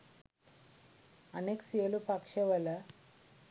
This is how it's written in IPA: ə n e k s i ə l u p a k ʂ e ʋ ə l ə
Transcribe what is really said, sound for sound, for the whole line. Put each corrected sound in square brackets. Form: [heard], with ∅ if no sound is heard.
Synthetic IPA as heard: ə n e k s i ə l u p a k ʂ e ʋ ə l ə